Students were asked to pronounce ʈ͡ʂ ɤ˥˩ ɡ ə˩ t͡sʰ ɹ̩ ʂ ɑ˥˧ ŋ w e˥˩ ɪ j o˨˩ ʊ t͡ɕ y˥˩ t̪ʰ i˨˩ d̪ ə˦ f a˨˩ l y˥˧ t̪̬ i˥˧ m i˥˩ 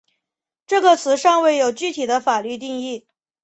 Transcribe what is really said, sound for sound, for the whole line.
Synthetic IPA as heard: ʈ͡ʂ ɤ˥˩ ɡ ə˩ t͡sʰ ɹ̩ ʂ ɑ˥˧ ŋ w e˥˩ ɪ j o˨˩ ʊ t͡ɕ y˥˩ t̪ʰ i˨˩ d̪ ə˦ f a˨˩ l y˥˧ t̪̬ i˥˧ ŋ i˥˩